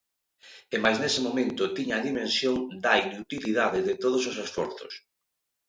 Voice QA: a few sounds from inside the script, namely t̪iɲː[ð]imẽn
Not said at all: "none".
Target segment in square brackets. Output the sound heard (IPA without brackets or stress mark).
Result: ð